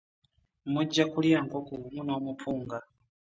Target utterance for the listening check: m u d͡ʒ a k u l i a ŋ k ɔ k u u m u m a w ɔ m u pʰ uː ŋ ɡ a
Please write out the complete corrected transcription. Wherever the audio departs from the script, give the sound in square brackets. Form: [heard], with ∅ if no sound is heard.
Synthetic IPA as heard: m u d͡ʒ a k u l i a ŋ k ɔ k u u m u [n] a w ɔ m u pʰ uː ŋ ɡ a